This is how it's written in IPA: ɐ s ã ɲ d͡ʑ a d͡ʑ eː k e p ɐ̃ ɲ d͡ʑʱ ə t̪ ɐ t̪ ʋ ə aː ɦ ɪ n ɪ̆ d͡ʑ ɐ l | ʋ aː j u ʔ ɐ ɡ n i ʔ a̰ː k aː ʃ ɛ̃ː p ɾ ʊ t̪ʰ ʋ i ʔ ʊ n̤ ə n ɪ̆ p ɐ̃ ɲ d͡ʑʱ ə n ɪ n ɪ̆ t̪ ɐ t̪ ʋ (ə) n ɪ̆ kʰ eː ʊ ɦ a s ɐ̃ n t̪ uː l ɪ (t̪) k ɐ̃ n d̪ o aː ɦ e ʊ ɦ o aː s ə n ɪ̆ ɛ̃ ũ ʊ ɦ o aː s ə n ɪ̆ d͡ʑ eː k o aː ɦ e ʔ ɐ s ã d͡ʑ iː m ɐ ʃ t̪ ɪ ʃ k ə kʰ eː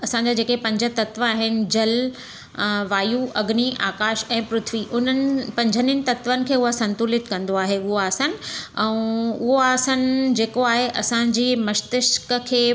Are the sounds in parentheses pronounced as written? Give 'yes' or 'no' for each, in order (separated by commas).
yes, yes